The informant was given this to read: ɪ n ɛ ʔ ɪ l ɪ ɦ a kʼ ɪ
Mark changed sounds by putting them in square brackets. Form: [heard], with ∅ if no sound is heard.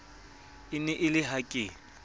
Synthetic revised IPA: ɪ n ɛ ʔ ɪ l ɪ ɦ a kʼ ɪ